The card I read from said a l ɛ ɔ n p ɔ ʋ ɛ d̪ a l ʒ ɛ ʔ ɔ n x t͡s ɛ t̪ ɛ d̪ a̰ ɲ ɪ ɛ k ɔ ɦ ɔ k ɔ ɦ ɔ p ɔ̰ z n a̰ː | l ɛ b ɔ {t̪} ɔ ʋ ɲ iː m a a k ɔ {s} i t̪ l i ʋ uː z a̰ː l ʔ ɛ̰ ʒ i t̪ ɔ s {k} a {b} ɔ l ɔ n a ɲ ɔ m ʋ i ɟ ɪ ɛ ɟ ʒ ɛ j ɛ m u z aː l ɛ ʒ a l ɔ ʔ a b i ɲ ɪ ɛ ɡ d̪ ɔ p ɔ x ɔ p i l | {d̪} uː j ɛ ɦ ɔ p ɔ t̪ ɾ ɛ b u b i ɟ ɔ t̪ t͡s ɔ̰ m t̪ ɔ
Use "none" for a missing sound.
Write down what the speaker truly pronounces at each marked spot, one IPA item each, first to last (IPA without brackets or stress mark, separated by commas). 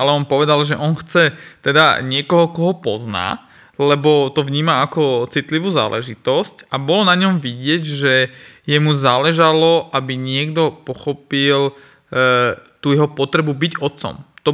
t̪, t͡s, c, b, t̪